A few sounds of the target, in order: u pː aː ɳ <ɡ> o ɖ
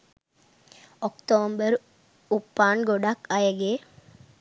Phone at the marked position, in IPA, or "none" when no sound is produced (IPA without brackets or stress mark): ɡ